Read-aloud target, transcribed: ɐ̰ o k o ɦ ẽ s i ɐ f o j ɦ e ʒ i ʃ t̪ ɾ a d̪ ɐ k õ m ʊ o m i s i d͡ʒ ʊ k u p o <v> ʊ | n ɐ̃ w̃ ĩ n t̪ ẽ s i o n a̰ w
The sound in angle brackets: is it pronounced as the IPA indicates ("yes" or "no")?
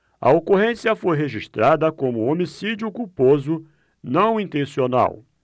no